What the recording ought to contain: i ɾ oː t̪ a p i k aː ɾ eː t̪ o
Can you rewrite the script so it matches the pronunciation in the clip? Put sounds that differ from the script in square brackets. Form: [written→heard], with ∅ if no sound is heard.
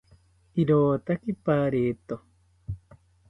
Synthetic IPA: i ɾ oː t̪ a [p→k] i [k→p] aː ɾ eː t̪ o